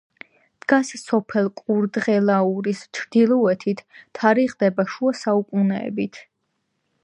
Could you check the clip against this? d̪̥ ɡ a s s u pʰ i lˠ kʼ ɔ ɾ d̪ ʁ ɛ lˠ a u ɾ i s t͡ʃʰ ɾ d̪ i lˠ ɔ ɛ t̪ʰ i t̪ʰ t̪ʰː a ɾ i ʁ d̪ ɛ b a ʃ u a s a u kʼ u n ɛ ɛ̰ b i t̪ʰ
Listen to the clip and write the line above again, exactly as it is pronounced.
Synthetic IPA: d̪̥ ɡ a s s ɔ pʰ ɛ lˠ kʼ u ɾ d̪ ʁ ɛ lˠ a u ɾ i s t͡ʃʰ ɾ d̪ i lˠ ɔ ɛ t̪ʰ i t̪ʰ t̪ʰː a ɾ i ʁ d̪ ɛ b a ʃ u a s a u kʼ u n ɛ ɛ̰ b i t̪ʰ